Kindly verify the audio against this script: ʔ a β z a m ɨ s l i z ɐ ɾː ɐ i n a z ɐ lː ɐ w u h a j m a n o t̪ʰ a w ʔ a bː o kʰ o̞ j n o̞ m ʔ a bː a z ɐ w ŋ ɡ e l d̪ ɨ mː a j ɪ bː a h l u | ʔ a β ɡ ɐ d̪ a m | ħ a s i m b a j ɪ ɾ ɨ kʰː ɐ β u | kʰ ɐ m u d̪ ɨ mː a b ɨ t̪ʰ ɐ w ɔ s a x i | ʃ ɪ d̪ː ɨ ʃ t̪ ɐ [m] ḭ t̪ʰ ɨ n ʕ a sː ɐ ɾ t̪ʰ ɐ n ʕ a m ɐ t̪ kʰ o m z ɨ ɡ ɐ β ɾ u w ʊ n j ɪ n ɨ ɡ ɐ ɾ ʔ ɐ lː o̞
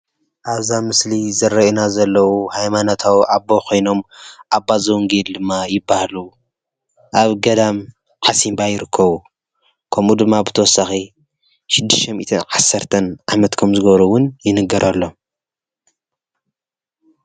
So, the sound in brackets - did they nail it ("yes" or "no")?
yes